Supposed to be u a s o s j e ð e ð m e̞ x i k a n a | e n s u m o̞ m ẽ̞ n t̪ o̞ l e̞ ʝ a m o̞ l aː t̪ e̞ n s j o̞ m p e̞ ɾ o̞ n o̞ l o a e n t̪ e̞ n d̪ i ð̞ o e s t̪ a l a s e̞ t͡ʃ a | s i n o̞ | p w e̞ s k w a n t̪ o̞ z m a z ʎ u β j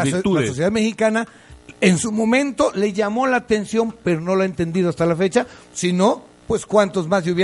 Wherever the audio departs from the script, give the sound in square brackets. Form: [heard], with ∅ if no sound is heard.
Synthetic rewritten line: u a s o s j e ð [a] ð m e̞ x i k a n a | e n s u m o̞ m ẽ̞ n t̪ o̞ l e̞ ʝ a m o̞ l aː t̪ e̞ n s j o̞ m p e̞ ɾ o̞ n o̞ l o a e n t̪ e̞ n d̪ i ð̞ o [a] s t̪ a l a [f] e̞ t͡ʃ a | s i n o̞ | p w e̞ s k w a n t̪ o̞ z m a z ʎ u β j